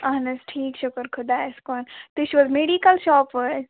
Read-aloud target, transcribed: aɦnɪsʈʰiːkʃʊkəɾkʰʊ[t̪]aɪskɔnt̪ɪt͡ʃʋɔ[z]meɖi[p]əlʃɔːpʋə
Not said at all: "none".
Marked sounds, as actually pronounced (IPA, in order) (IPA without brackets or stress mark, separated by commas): d̪, z, k